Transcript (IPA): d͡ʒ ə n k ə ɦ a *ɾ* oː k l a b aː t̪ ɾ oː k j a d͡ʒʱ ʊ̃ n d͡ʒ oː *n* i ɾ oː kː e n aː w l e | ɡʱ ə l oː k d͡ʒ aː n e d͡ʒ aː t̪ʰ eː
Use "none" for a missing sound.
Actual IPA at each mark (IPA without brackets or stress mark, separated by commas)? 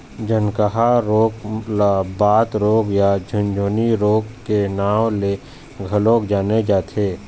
ɾ, n